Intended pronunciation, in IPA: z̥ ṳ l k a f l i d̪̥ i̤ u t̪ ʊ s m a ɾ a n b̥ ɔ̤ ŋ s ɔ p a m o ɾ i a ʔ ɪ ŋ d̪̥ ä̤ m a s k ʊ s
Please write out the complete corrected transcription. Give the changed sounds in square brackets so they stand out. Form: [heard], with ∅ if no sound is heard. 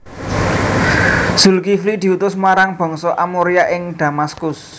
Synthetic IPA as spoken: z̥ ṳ l k [i] f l i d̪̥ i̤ u t̪ ʊ s m a ɾ a [ŋ] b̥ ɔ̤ ŋ s ɔ [ʔ] a m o ɾ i a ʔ ɪ ŋ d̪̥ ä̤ m a s k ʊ s